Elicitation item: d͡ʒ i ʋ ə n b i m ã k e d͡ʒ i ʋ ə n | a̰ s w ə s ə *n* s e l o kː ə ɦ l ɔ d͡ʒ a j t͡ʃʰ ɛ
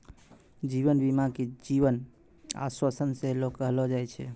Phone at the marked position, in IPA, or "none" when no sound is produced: n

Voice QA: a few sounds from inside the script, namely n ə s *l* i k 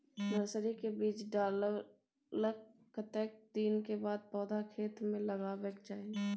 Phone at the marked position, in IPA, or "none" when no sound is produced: ɾ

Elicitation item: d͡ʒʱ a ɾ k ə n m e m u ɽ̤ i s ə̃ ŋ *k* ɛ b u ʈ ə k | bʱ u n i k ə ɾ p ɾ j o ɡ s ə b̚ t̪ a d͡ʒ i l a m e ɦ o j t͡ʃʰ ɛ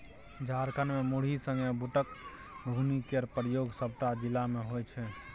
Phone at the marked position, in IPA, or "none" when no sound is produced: ɡ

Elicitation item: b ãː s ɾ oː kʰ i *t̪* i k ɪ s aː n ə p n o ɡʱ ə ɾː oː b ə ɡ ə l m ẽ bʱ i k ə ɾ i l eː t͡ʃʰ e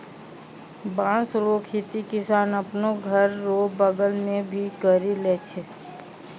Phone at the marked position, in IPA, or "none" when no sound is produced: t̪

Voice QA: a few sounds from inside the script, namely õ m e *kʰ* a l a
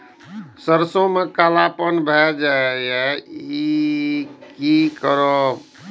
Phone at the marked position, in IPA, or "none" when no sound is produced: k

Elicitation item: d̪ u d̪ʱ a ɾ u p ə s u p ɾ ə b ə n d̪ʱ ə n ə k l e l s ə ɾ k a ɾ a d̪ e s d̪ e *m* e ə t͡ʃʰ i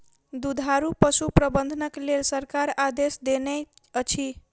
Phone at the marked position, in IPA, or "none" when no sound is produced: n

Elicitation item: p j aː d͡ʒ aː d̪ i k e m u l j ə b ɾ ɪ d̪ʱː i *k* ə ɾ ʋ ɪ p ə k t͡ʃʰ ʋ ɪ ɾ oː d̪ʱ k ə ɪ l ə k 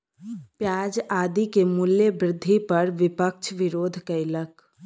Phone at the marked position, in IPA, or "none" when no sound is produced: p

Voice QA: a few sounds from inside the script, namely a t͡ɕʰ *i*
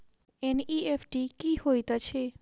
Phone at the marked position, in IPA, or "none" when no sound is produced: e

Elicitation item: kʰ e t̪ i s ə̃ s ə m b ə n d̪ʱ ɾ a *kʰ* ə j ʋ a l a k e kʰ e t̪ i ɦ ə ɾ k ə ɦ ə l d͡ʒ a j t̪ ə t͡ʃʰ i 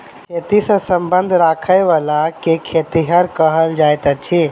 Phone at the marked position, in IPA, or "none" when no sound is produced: kʰ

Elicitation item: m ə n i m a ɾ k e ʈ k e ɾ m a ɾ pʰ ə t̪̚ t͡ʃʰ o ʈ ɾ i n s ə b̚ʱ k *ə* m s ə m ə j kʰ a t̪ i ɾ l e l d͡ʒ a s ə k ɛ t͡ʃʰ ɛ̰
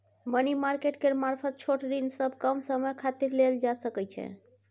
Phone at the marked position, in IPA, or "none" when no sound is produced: ə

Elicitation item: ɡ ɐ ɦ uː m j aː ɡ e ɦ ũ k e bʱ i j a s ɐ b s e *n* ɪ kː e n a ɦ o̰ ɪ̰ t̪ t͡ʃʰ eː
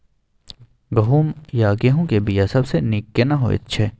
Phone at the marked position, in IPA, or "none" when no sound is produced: n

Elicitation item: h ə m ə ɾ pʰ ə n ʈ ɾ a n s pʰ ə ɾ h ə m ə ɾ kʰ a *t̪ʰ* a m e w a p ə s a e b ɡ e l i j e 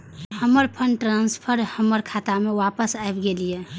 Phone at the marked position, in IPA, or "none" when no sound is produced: t̪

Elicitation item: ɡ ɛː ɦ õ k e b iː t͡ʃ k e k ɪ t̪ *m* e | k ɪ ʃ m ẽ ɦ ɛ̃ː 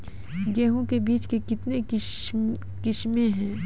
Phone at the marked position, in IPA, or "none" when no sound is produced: n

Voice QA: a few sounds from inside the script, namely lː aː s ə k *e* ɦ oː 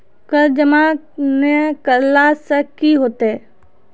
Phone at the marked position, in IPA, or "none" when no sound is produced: i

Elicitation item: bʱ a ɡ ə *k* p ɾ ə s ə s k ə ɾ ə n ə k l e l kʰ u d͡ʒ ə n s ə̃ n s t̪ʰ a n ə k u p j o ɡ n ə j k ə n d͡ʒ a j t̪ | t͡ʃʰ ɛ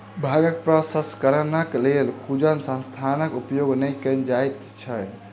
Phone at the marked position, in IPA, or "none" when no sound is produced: k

